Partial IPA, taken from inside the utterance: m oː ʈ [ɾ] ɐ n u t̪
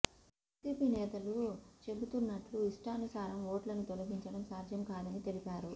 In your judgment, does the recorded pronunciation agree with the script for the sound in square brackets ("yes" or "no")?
no